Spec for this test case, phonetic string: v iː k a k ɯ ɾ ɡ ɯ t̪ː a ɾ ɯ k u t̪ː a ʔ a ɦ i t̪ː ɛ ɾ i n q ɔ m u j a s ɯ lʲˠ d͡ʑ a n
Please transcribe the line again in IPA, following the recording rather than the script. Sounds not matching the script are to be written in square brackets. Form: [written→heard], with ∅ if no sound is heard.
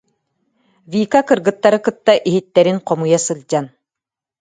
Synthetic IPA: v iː k a k ɯ ɾ ɡ ɯ t̪ː a ɾ ɯ k [u→ɯ] t̪ː a ʔ [a→i] ɦ i t̪ː ɛ ɾ i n q ɔ m u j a s ɯ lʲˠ d͡ʑ a n